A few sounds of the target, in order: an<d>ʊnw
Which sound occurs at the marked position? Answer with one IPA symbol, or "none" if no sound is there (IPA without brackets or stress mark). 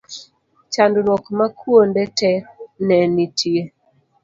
d